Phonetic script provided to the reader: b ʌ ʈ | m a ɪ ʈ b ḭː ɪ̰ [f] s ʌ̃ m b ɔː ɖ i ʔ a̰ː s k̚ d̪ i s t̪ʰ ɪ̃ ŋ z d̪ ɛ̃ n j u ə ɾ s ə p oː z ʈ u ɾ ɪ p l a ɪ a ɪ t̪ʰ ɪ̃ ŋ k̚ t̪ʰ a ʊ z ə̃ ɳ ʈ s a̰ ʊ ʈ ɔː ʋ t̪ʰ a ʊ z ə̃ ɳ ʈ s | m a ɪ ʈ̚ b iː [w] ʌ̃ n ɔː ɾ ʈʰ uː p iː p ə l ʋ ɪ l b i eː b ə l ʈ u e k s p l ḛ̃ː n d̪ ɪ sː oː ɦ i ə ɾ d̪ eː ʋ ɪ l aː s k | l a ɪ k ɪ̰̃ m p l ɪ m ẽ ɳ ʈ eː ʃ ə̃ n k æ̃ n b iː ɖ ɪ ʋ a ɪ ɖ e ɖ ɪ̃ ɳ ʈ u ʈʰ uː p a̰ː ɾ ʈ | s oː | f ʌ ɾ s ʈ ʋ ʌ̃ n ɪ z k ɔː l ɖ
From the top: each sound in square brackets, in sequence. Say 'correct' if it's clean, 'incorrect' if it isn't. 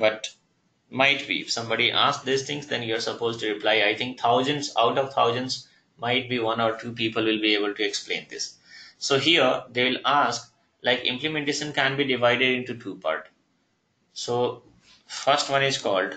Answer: correct, incorrect: ʋ

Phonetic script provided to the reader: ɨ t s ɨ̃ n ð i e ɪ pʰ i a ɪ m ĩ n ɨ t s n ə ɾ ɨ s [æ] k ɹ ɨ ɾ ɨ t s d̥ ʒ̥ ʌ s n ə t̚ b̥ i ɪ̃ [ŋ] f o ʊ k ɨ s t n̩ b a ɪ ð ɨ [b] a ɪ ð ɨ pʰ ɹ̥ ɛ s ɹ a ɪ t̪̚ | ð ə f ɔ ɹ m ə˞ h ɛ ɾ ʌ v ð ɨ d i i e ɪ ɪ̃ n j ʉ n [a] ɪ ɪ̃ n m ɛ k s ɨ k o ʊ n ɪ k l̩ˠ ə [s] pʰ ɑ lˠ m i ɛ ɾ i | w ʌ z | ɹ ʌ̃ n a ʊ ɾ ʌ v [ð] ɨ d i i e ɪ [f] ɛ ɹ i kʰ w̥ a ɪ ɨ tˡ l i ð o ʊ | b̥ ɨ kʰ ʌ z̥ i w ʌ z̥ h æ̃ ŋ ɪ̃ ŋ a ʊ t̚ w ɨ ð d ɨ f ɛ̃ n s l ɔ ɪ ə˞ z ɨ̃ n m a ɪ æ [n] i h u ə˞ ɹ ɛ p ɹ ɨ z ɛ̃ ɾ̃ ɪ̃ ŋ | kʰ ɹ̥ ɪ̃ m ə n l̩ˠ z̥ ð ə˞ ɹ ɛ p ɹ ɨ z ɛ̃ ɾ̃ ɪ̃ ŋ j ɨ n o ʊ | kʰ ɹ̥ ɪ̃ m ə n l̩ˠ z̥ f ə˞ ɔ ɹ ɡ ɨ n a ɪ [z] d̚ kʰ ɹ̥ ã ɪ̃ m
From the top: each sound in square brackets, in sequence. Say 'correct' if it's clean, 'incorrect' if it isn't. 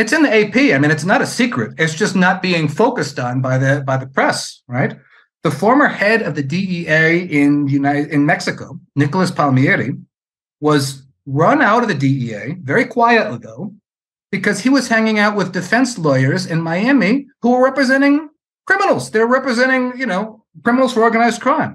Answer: incorrect: i, correct, correct, correct, correct, correct, incorrect: v, incorrect: m, correct

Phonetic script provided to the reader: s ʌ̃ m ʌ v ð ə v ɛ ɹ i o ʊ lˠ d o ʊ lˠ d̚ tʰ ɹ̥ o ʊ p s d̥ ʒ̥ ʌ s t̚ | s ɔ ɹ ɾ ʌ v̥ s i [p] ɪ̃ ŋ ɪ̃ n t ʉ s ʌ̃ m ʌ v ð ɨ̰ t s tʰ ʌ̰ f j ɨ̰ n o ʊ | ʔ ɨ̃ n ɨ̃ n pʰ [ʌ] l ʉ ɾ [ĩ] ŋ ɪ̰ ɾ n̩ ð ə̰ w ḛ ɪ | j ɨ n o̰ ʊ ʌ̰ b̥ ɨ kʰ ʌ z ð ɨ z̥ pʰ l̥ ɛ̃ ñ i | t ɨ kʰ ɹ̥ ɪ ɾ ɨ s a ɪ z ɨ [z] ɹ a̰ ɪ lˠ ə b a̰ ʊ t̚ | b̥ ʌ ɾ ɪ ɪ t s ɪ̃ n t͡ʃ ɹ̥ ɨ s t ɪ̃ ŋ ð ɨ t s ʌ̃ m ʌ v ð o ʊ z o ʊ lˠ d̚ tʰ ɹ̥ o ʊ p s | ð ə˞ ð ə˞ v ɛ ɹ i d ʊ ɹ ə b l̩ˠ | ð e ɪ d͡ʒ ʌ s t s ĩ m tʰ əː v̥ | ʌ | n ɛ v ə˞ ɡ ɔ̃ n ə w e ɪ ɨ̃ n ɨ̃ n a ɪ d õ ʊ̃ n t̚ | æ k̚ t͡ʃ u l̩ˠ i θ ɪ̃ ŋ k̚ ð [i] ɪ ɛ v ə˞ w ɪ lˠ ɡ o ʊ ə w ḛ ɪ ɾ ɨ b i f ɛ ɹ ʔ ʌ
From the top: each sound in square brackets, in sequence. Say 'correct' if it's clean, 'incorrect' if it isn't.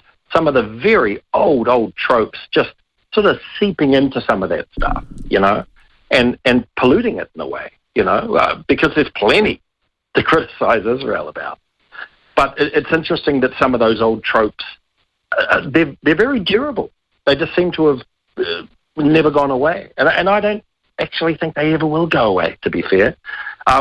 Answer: correct, incorrect: ə, incorrect: ɪ̃, correct, incorrect: e

